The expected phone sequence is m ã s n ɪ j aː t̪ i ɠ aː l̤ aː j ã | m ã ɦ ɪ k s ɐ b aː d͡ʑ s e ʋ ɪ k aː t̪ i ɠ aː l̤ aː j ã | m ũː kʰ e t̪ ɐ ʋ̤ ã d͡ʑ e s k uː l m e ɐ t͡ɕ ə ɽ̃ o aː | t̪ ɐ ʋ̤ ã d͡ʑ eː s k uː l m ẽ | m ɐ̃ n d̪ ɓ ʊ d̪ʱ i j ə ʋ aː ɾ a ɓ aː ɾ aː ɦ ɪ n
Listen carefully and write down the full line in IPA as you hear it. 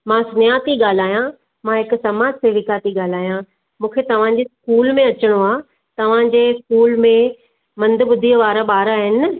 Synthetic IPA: m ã s n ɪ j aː t̪ i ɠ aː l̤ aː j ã | m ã ɦ ɪ k s ɐ m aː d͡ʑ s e ʋ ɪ k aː t̪ i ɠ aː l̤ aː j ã | m ũː kʰ e t̪ ɐ ʋ̤ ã d͡ʑ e s k uː l m ẽ ɐ t͡ɕ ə ɽ̃ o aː | t̪ ɐ ʋ̤ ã d͡ʑ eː s k uː l m ẽ | m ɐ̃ n d̪ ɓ ʊ d̪ʱ i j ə ʋ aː ɾ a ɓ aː ɾ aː ɦ ɪ n